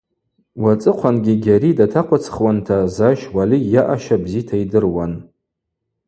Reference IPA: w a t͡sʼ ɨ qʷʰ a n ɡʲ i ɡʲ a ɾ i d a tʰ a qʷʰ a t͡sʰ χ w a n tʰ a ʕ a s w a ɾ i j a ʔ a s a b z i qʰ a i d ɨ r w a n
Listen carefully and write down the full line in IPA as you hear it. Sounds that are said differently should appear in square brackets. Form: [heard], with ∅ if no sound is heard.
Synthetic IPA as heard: w a t͡sʼ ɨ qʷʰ a n ɡʲ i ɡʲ a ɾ i d a tʰ a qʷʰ a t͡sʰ χ w a n tʰ a [z] a [ʃ] w a [l] i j a ʔ a [ʃ] a b z i [tʰ] a i d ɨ r w a n